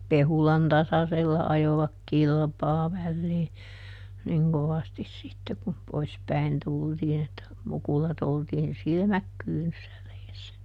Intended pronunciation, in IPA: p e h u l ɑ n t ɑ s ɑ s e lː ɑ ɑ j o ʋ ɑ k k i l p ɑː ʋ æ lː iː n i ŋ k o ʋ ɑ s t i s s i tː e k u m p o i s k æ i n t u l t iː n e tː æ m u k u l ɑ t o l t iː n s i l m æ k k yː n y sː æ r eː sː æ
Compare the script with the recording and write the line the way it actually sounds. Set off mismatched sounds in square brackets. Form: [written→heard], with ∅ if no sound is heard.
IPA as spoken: p e h u l ɑ n t ɑ s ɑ s e lː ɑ ɑ j o ʋ ɑ k k i l p ɑː ʋ æ lː iː n i ŋ k o ʋ ɑ s t i s s i tː e k u m p o i s [k→p] æ i n t u l t iː n e tː æ m u k u l ɑ t o l t iː n s i l m æ k k yː n y sː æ r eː sː æ